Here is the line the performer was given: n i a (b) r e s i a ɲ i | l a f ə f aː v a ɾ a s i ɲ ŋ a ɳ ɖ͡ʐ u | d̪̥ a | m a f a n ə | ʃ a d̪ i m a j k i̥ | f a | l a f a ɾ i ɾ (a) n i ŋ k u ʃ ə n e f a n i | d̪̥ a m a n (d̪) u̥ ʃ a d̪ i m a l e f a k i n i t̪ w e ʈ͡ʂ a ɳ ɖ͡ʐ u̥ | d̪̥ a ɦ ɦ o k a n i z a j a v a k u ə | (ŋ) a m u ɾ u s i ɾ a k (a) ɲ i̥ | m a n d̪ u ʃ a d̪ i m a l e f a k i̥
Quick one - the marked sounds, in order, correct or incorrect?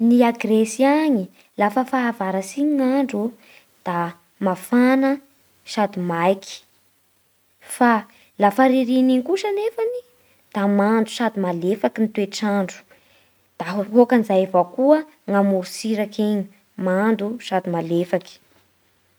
incorrect: ɡ, incorrect: i, correct, correct, incorrect: e

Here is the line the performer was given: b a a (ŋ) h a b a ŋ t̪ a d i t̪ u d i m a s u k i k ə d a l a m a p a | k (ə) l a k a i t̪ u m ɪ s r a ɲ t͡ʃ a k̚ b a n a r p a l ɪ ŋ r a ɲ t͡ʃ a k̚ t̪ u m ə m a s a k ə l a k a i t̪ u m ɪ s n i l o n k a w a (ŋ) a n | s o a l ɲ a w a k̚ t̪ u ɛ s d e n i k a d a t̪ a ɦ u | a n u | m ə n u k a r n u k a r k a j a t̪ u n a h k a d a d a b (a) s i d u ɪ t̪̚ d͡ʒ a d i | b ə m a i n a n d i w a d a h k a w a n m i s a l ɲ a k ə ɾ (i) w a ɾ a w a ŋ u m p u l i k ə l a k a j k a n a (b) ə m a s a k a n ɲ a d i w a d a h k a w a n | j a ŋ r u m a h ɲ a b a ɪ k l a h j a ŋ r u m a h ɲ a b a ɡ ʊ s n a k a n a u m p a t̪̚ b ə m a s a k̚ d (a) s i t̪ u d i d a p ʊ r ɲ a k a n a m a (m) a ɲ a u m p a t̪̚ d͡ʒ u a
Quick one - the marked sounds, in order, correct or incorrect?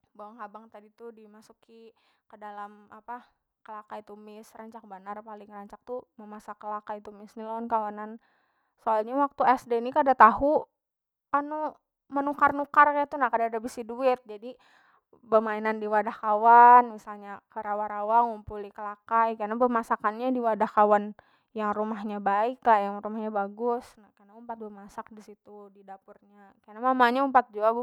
correct, correct, incorrect: n, incorrect: i, incorrect: a, correct, incorrect: i, correct

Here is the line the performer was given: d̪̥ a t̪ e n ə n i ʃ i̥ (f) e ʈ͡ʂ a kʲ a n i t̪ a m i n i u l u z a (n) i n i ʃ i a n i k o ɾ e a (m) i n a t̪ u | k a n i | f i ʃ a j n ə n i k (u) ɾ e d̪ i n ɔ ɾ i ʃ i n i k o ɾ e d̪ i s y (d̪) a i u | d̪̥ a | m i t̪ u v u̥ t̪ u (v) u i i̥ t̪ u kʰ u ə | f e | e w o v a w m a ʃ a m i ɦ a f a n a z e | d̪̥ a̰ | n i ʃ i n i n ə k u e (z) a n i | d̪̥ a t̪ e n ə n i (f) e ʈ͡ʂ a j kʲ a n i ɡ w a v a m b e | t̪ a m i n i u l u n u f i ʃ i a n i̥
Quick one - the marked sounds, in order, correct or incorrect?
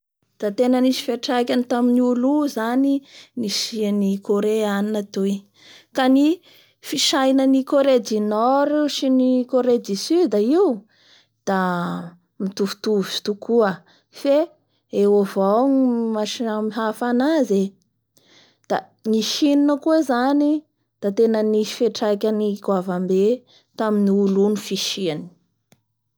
correct, correct, incorrect: n, incorrect: o, correct, correct, correct, correct

